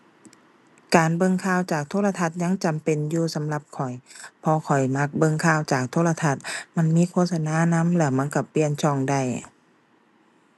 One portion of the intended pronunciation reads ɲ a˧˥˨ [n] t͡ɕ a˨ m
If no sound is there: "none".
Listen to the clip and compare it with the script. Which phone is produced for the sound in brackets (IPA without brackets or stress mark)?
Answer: ŋ